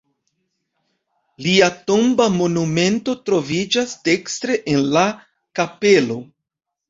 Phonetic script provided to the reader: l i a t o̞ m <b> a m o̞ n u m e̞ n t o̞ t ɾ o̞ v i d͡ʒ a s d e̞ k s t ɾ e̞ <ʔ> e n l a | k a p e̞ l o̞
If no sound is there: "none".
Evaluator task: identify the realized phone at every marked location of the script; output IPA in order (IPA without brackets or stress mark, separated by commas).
b, ʔ